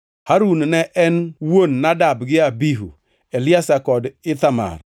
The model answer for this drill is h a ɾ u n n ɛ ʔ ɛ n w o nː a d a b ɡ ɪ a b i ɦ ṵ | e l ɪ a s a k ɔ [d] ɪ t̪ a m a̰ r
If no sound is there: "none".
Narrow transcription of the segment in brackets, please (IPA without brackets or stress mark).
d